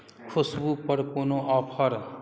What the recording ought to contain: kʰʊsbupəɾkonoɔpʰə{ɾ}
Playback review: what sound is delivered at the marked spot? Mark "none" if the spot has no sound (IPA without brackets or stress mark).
ɾ